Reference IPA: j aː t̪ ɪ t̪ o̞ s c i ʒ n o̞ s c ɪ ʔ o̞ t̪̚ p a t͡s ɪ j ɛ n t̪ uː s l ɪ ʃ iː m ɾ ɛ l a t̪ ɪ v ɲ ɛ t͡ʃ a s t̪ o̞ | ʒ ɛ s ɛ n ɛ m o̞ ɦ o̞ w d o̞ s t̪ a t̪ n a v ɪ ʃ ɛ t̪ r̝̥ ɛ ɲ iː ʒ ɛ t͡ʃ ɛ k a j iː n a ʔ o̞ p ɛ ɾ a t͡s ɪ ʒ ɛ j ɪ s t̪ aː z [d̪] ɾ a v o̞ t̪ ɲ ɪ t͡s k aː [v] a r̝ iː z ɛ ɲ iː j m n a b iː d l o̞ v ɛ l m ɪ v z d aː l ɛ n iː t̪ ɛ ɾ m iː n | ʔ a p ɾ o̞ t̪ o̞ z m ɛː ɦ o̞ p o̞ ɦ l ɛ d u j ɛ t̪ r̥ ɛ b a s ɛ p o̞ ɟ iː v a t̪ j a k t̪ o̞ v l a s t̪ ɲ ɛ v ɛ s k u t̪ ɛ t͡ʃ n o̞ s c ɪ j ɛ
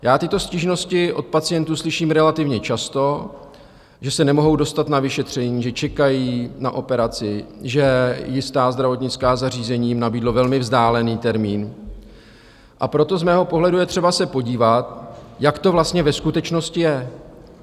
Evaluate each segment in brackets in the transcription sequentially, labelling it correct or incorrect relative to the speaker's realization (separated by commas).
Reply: correct, incorrect